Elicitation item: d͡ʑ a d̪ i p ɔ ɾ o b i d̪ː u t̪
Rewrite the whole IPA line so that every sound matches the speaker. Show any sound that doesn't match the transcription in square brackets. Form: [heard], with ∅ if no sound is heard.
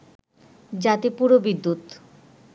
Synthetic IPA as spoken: d͡ʑ a [t̪] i p [u] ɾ o b i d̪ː u t̪